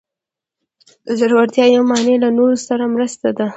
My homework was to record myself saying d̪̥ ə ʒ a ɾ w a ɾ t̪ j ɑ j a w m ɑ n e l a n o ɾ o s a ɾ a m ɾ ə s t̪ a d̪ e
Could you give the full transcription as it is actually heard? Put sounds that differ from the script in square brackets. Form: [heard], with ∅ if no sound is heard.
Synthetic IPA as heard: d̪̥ ə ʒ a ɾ w a ɾ t̪ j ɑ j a w m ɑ n e l a n o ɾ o s a ɾ a m ɾ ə s t̪ a d̪ [a]